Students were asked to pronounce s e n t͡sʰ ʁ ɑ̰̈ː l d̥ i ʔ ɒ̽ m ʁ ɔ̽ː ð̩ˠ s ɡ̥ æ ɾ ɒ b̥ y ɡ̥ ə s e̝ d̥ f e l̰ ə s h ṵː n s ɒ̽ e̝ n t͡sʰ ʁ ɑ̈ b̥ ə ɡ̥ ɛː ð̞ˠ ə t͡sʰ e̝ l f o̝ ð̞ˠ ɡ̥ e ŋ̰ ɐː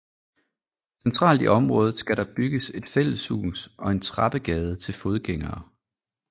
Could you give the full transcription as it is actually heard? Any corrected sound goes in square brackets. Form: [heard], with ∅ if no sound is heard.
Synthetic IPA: s e n t͡sʰ ʁ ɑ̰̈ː l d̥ i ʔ ɒ̽ m ʁ ɔ̽ː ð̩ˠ s ɡ̥ æ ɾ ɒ b̥ y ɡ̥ ə s e̝ d̥ f e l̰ ə s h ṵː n s ɒ̽ e̝ n t͡sʰ ʁ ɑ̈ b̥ ə ɡ̥ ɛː ð̞ˠ ə t͡sʰ e̝ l f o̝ ð̞ˠ ɡ̥ e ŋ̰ ɐː